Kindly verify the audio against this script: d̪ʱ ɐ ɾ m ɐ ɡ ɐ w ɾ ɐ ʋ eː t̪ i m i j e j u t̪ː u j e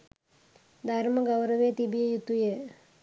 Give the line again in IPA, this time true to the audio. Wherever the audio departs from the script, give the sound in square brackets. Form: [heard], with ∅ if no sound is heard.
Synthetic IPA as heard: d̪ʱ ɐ ɾ m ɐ ɡ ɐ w ɾ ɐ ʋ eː t̪ i [b] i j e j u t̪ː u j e